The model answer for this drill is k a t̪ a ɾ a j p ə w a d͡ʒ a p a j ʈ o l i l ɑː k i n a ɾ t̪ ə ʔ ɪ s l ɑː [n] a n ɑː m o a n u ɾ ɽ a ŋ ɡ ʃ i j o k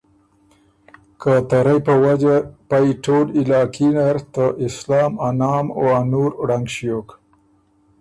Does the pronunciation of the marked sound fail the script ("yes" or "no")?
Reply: yes